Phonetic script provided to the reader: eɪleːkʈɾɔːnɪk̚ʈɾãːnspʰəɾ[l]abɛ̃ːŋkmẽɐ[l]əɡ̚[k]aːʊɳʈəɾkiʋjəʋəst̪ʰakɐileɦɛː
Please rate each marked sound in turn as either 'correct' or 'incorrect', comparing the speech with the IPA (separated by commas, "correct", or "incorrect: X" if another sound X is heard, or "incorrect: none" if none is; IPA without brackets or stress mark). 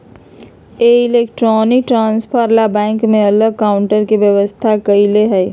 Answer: correct, correct, correct